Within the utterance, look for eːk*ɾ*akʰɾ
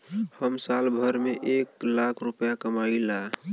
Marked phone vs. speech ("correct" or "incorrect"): incorrect